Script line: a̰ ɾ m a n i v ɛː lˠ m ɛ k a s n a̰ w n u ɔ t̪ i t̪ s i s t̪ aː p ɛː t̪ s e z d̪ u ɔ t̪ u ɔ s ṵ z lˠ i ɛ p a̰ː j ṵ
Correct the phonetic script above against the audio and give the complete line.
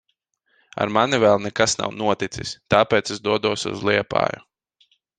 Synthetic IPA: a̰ ɾ m a n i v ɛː lˠ n ɛ k a s n a̰ w n u ɔ t̪ i t̪ s i s t̪ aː p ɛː t̪ s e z d̪ u ɔ d̪ u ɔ s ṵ z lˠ i ɛ p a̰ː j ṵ